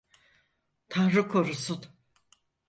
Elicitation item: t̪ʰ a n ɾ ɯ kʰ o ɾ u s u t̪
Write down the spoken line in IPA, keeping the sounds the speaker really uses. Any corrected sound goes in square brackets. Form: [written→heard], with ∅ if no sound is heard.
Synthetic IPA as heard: t̪ʰ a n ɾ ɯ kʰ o ɾ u s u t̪